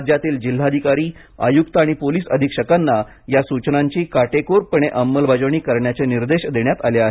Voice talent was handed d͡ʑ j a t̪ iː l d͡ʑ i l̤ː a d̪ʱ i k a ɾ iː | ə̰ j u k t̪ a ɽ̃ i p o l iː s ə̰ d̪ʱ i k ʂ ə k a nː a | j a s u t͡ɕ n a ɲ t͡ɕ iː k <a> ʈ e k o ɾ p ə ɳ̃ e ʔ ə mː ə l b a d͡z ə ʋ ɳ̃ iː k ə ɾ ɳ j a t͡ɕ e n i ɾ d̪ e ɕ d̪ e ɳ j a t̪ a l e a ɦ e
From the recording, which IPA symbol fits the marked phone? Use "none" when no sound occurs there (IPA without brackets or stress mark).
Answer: a